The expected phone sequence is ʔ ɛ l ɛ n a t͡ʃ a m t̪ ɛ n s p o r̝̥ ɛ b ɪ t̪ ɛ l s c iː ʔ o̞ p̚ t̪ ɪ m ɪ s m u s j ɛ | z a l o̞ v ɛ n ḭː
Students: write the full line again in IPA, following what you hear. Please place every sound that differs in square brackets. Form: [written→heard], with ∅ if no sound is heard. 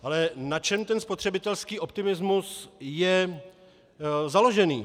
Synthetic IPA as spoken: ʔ [ɛ→a] l ɛ n a t͡ʃ [a→ɛ] m t̪ ɛ n s p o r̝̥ ɛ b ɪ t̪ ɛ l s [c→k] iː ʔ o̞ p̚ t̪ ɪ m ɪ [s→z] m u s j ɛ | z a l o̞ [v→ʒ] ɛ n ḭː